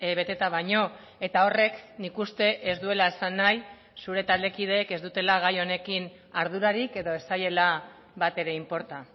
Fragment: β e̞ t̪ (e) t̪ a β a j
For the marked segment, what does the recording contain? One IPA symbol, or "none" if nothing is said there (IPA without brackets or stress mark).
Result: e